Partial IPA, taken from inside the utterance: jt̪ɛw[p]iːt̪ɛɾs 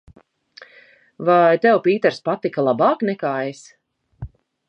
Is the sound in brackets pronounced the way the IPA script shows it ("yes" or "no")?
yes